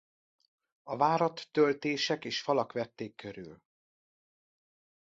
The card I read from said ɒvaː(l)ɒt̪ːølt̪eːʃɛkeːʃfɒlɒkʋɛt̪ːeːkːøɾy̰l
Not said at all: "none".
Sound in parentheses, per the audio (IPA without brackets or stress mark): ɾ